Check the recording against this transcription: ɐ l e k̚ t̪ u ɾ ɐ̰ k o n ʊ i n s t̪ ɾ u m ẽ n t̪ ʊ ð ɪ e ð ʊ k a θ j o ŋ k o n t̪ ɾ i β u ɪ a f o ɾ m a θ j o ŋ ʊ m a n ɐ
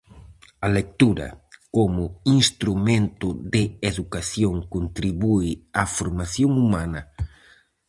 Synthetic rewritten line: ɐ l e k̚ t̪ u ɾ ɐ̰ k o m ʊ i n s t̪ ɾ u m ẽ n t̪ ʊ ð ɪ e ð u k a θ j o ŋ k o n t̪ ɾ i β u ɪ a f o ɾ m a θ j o ŋ u m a n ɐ